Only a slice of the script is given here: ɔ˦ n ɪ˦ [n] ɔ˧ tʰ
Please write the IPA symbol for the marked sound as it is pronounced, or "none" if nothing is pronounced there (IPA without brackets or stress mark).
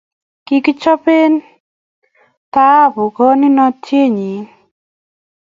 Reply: n